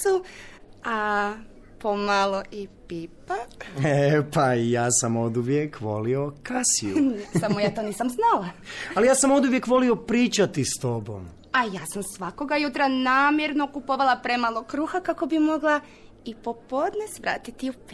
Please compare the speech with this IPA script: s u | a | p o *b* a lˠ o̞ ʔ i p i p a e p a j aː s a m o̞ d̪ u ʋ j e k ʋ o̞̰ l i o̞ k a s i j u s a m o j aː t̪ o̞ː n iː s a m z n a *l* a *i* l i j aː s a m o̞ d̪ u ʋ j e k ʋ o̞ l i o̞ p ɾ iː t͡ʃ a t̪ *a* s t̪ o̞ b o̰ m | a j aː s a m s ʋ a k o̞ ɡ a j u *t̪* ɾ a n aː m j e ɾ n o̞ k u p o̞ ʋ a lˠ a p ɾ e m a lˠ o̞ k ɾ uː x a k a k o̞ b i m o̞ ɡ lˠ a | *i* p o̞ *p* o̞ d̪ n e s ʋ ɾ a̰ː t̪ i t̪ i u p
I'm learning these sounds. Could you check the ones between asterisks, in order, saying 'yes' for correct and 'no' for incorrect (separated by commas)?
no, yes, no, no, yes, yes, yes